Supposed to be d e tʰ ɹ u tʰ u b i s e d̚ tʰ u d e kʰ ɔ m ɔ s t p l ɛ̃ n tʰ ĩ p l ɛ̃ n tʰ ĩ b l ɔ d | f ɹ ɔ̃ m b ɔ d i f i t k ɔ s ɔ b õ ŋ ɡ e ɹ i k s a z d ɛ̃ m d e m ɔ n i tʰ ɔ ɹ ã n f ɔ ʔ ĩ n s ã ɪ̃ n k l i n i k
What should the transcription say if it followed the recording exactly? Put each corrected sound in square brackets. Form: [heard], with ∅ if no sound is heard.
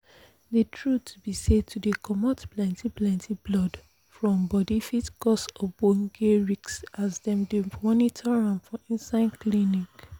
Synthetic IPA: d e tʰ ɹ u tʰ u b i s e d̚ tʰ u d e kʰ ɔ m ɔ [∅] t p l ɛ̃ n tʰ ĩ p l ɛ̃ n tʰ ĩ b l ɔ d | f ɹ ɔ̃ m b ɔ d i f i t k ɔ s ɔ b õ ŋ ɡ e ɹ i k s a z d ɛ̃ m d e m ɔ n i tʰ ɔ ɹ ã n f ɔ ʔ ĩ n s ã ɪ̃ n k l i n i k